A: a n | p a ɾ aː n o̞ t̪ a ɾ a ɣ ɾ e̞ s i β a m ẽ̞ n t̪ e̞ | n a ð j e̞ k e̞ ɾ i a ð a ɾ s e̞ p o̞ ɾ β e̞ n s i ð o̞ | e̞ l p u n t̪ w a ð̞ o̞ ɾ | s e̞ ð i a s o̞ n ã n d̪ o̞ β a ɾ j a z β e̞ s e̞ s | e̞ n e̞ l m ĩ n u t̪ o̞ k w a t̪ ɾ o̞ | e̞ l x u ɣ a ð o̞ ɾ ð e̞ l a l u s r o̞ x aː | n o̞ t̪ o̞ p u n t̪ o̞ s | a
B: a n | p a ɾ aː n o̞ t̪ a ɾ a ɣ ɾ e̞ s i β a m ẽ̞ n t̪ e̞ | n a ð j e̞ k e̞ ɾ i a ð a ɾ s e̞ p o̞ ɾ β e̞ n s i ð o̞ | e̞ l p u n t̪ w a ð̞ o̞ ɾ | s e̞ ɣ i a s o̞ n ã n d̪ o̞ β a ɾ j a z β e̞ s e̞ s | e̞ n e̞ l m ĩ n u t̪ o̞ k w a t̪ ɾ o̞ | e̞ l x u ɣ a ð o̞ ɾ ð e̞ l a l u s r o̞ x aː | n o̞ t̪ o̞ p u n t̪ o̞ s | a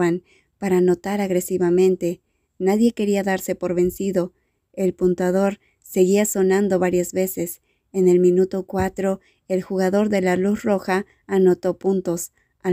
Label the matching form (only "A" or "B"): B